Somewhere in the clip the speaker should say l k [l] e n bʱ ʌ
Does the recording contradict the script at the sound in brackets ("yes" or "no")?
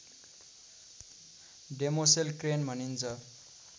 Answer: yes